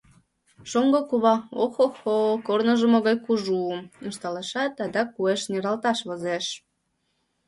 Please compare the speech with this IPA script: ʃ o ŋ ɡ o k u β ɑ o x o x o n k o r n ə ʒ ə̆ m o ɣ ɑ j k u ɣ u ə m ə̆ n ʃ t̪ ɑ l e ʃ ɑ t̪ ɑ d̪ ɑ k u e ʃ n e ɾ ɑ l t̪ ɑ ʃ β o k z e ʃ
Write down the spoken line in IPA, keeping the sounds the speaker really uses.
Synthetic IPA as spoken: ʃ o ŋ ɡ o k u β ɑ o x o x o k o r n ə ʒ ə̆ m o ɣ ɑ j k u ʒ u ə m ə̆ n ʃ t̪ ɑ l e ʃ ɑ t̪ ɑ d̪ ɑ k u e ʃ n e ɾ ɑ l t̪ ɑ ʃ β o z e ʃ